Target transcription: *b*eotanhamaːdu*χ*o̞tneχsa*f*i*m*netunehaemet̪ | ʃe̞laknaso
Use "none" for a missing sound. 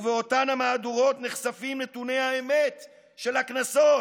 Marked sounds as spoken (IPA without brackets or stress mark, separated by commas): v, ʁ, f, m